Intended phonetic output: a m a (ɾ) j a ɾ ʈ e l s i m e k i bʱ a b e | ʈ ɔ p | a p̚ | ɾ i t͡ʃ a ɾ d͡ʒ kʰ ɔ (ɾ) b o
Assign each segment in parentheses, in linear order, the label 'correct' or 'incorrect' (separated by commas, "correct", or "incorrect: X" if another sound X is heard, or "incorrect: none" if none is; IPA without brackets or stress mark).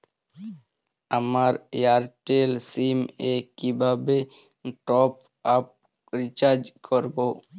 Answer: correct, correct